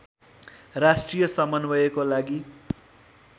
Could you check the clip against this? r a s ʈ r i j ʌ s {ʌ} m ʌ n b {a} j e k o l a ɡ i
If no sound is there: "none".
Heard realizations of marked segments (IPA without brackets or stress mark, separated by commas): ʌ, ʌ